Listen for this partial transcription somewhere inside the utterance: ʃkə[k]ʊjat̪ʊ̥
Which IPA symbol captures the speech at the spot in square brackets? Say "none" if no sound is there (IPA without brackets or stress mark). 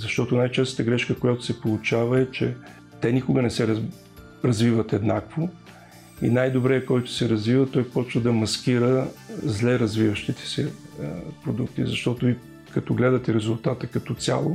k